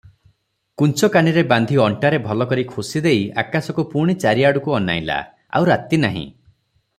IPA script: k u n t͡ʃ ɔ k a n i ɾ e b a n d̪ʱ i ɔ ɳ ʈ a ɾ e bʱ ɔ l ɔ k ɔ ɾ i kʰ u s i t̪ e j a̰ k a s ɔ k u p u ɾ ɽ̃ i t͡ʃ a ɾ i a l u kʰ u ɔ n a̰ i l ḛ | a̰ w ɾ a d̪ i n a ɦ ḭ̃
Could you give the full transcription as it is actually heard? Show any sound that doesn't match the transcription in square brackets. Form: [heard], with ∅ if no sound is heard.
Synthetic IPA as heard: k u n t͡ʃ ɔ k a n i ɾ e b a n d̪ʱ i ɔ ɳ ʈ a ɾ e bʱ ɔ l ɔ k ɔ ɾ i kʰ u s i [d̪] e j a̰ k a s ɔ k u p u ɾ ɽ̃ i t͡ʃ a ɾ i a [ɽ] u [k] u ɔ n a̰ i l [a̰] | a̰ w ɾ a [t̪] i n a ɦ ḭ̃